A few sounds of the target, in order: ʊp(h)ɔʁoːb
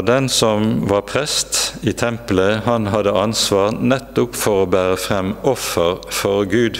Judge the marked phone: incorrect: f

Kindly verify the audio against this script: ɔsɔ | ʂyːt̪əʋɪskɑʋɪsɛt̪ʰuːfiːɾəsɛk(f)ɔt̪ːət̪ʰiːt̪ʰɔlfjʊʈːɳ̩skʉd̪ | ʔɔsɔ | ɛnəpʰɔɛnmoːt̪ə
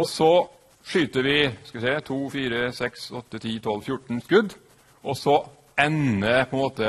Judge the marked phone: incorrect: s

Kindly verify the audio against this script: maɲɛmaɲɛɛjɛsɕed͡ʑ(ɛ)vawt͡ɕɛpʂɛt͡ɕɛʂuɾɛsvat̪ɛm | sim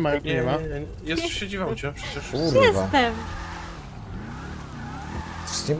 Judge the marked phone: incorrect: i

